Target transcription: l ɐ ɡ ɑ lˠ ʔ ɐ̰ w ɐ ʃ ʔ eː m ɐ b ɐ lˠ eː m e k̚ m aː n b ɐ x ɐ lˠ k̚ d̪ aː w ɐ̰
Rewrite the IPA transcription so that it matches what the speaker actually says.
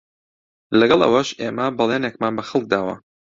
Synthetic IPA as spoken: l ɐ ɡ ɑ lˠ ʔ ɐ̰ w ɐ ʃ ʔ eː m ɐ b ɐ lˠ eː n e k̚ m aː n b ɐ x ɐ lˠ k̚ d̪ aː w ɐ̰